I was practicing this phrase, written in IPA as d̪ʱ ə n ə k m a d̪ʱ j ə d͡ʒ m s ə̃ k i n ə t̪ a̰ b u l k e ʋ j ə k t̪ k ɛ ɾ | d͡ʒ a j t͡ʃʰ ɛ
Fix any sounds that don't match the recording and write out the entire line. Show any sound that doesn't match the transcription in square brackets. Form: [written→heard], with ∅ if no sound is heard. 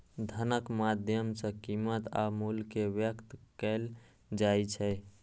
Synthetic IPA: d̪ʱ ə n ə k m a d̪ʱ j ə [d͡ʒ→∅] m s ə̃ k i [n→m] ə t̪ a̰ [b→m] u l k e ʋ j ə k t̪ k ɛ [ɾ→l] | d͡ʒ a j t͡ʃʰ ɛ

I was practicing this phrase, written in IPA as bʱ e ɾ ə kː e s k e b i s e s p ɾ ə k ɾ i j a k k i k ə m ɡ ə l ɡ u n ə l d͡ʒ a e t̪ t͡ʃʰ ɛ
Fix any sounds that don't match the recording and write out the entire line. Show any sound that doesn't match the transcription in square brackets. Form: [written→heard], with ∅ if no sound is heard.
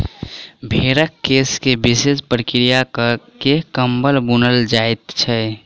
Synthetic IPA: bʱ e ɾ ə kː e s k e b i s e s p ɾ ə k ɾ i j a k k [i→e] k ə m [ɡ→b] ə l [ɡ→b] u n ə l d͡ʒ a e t̪ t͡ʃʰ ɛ

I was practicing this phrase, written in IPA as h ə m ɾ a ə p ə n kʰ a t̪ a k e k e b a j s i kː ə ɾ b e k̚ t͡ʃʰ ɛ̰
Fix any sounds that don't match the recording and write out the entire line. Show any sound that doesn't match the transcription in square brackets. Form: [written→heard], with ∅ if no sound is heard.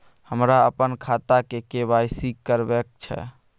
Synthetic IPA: h ə m ɾ a ə p ə n kʰ a t̪ a k e k e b a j s i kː ə ɾ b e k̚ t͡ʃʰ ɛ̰

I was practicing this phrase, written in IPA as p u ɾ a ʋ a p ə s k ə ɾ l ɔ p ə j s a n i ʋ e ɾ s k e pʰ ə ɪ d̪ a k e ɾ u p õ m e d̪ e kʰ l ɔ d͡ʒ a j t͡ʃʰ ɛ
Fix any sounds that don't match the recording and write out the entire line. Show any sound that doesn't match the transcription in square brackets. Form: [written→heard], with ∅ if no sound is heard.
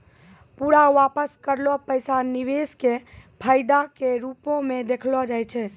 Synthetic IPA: p u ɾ a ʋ a p ə s k ə ɾ l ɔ p ə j s a n i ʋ e [ɾ→∅] s k e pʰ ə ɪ d̪ a k e ɾ u p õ m e d̪ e kʰ l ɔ d͡ʒ a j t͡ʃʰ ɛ

